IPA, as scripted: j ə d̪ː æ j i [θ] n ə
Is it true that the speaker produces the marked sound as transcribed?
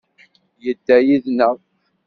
no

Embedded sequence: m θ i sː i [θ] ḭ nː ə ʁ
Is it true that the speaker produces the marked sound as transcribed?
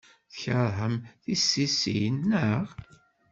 no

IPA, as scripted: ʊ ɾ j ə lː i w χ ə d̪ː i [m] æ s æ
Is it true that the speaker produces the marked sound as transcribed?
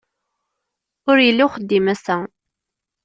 yes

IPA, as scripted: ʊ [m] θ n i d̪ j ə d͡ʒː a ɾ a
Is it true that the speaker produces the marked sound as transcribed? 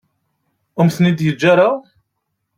yes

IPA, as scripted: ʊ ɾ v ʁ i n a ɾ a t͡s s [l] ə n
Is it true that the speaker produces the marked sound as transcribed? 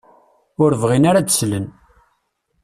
yes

